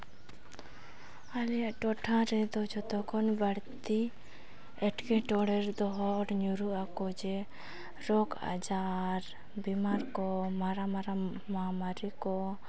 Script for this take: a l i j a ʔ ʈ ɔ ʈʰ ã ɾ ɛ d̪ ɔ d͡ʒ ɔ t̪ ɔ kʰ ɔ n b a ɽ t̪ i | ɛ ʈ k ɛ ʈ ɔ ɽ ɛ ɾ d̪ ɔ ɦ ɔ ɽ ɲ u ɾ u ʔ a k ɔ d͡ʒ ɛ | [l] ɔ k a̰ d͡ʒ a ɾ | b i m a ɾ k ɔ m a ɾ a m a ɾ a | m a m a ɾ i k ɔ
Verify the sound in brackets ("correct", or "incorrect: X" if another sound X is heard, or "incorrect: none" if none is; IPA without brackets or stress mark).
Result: incorrect: ɾ